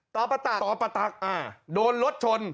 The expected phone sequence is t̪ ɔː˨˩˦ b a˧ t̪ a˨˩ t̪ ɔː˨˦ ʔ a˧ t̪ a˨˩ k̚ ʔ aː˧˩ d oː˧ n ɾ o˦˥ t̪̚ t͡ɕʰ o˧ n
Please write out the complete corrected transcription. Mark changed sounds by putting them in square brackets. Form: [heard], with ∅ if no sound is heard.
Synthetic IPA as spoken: t̪ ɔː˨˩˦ [p] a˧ t̪ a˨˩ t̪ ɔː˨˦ [p] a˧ t̪ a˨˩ k̚ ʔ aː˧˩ d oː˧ n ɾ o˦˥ t̪̚ t͡ɕʰ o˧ n